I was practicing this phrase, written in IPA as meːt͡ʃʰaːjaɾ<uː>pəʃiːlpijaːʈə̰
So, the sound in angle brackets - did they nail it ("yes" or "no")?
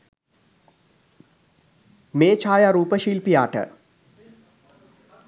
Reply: yes